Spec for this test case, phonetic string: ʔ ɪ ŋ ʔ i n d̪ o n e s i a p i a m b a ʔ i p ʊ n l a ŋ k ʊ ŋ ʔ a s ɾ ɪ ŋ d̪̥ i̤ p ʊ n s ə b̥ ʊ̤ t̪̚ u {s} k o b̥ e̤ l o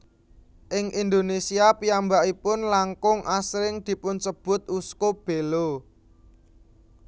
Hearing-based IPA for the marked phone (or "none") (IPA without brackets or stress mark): s